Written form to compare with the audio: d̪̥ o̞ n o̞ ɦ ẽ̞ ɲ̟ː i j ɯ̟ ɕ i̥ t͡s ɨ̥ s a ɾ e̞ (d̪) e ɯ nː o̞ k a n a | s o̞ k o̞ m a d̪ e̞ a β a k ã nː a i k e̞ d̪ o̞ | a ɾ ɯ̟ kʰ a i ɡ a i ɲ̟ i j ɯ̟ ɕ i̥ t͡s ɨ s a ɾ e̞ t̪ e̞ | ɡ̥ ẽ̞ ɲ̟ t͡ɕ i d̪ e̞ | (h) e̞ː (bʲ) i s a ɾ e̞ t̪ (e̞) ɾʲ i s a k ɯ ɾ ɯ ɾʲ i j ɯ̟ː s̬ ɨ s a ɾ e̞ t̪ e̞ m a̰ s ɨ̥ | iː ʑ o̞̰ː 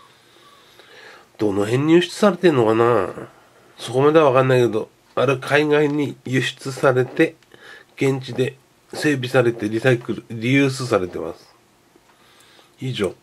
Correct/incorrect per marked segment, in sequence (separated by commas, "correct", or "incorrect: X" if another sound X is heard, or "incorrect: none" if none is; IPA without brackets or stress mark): incorrect: t̪, incorrect: s, correct, correct